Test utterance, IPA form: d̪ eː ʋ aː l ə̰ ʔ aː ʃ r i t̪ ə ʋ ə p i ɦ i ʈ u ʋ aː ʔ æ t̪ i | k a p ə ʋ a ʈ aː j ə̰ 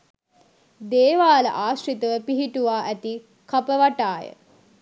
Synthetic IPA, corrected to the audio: d̪ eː ʋ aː l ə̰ ʔ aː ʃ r i t̪ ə ʋ ə p i ɦ i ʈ u ʋ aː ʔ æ t̪ i | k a p ə ʋ a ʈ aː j ə̰